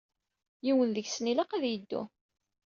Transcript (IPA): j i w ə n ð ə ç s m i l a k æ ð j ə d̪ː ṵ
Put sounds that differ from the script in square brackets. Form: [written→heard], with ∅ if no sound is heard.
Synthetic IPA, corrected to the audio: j i w ə n ð ə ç s [m→n] i l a [k→q] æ ð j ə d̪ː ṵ